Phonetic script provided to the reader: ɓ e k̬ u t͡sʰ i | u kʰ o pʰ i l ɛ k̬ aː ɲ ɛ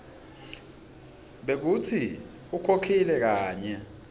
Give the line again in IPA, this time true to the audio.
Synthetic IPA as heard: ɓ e k̬ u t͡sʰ i | u kʰ o kʰ i l ɛ k̬ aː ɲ ɛ